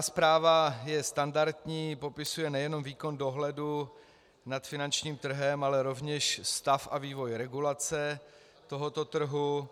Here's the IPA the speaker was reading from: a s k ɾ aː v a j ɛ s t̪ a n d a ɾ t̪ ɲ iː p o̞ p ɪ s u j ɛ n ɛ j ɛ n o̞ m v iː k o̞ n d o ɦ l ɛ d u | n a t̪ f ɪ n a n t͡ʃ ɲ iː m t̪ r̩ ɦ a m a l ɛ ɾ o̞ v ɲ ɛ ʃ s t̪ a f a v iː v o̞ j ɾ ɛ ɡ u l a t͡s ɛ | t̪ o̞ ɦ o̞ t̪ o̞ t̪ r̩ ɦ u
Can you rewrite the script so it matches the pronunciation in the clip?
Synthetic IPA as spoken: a s p ɾ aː v a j ɛ s t̪ a n d a ɾ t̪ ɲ iː p o̞ p ɪ s u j ɛ n ɛ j ɛ n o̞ m v iː k o̞ n d o ɦ l ɛ d u | n a t̪ f ɪ n a n t͡ʃ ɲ iː m t̪ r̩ ɦ ɛ m a l ɛ ɾ o̞ v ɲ ɛ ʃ s t̪ a f a v iː v o̞ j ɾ ɛ ɡ u l a t͡s ɛ | t̪ o̞ ɦ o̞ t̪ o̞ t̪ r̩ ɦ u